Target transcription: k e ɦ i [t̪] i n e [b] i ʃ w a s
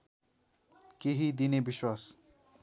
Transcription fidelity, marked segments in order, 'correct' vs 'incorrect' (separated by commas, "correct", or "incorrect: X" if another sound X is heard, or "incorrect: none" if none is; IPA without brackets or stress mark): incorrect: d̪, correct